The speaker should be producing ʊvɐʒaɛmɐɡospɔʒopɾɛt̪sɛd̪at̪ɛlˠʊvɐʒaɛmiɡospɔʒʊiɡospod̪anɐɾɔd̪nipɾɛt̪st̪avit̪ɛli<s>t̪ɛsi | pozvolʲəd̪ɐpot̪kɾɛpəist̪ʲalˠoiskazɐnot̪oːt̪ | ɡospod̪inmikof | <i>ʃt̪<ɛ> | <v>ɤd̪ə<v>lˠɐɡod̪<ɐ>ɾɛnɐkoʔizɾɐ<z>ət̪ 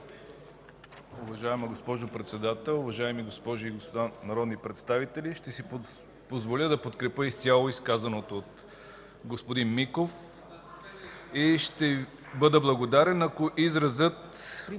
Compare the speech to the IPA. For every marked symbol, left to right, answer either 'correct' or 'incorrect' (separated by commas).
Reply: incorrect, correct, correct, incorrect, incorrect, incorrect, correct